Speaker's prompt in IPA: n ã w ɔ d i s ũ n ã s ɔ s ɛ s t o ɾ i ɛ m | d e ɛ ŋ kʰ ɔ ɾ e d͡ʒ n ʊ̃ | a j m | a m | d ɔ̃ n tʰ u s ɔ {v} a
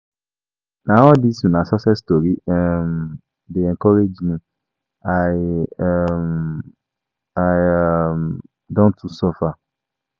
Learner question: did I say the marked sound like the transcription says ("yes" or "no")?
no